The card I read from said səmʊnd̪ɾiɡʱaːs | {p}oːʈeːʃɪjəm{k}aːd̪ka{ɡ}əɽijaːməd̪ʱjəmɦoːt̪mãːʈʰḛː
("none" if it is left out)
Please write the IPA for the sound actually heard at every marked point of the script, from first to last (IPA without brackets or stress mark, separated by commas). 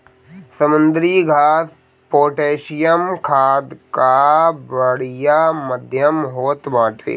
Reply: p, kʰ, b